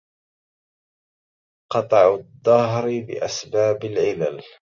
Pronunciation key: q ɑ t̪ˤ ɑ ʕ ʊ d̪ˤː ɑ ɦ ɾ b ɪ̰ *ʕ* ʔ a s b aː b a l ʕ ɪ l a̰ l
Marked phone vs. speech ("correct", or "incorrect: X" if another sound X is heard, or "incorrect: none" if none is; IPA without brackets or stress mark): incorrect: none